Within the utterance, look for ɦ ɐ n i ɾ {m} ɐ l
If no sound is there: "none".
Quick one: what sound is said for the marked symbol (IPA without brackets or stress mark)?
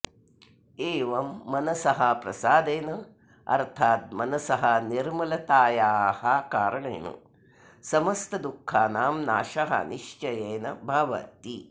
m